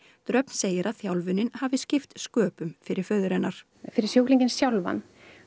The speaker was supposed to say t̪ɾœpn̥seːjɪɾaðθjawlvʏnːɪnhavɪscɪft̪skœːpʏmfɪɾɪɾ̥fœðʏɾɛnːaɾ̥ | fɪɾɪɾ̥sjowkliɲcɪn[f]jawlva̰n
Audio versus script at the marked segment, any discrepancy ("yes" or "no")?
yes